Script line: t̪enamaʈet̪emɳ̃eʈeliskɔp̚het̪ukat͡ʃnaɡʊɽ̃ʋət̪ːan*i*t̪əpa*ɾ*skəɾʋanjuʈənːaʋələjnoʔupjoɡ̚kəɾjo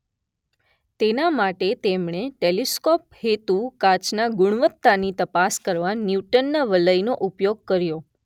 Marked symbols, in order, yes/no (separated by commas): yes, no